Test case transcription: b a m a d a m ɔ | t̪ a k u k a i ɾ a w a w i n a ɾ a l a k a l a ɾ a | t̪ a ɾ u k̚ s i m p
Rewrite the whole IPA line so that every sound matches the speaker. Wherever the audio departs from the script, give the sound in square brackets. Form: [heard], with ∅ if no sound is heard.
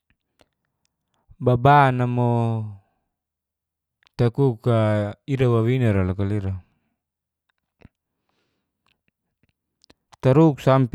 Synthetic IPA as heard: b a [b] a [n] a m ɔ | t̪ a k u k a i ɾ a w a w i n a ɾ a l a k a l [i] ɾ a | t̪ a ɾ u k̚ s [a] m p